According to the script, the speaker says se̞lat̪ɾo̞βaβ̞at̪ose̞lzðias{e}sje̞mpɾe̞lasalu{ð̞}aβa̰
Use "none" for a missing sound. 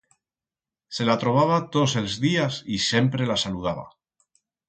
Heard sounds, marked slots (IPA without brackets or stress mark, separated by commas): i, ð̞